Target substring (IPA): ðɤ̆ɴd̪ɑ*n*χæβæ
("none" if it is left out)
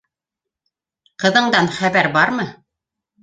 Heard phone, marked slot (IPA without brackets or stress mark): n